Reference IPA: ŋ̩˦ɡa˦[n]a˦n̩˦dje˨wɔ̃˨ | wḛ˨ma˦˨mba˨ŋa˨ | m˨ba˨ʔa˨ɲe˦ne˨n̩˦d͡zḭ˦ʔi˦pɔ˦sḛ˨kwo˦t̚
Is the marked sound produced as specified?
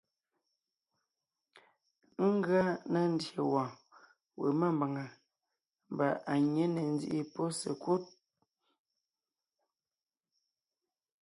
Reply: yes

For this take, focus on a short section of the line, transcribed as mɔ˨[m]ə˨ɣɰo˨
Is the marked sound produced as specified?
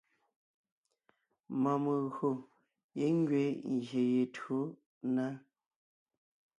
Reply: yes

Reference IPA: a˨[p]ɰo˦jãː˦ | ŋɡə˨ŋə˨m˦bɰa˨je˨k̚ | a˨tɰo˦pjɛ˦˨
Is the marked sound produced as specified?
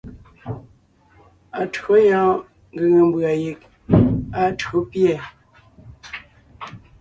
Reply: no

